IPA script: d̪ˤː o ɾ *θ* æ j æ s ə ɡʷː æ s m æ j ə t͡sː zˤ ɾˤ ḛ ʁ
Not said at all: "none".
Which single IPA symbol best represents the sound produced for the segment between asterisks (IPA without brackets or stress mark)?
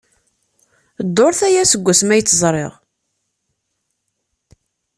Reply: θ